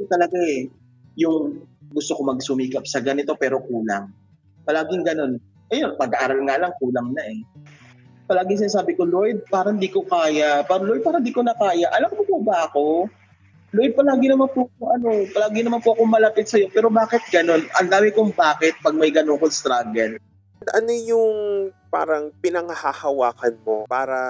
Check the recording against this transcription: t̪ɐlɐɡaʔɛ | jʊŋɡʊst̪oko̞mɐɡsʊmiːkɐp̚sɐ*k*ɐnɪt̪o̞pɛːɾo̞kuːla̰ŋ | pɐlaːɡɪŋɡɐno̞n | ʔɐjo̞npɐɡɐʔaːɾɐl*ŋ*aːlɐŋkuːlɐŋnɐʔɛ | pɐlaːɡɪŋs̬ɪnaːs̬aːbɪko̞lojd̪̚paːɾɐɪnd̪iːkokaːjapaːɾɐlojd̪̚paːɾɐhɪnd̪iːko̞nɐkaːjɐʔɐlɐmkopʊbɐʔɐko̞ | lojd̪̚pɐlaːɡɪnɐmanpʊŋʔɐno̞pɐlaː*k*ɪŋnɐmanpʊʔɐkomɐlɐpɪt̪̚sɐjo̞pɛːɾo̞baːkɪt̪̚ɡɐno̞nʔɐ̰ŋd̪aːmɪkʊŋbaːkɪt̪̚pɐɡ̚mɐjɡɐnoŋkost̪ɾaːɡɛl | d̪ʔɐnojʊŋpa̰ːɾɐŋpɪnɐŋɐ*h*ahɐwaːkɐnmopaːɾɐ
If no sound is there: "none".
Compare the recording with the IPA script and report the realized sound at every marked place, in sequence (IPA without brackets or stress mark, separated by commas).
ɡ, ŋ, ɡ, h